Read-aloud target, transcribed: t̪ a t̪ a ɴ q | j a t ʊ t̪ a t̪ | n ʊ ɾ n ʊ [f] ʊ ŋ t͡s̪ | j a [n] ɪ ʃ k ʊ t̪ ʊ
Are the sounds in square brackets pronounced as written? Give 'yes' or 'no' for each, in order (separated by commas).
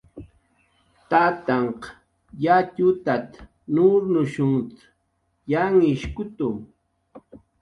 no, no